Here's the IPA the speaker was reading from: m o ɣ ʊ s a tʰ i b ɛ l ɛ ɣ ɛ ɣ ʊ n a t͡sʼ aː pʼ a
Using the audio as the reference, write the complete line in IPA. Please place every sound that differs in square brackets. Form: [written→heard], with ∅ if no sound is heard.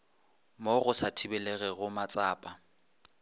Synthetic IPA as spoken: m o ɣ ʊ s a tʰ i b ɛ l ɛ ɣ ɛ ɣ ʊ [n→m] a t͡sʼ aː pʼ a